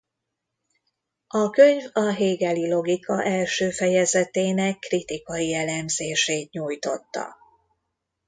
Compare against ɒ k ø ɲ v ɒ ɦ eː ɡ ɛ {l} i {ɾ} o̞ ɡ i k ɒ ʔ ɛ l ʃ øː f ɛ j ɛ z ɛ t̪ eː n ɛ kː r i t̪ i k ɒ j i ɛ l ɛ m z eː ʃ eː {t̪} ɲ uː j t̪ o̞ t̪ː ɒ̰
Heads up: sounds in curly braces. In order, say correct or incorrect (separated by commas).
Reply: correct, incorrect, correct